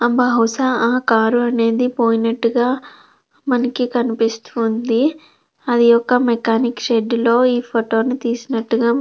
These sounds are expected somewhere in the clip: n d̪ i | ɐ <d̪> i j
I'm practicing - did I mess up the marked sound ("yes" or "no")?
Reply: no